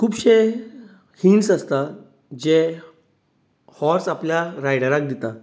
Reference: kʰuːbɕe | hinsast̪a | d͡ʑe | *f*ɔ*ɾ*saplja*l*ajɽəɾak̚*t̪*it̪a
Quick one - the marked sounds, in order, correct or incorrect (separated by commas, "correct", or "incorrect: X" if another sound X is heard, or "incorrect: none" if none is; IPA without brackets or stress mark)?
incorrect: h, correct, incorrect: ɾ, incorrect: d̪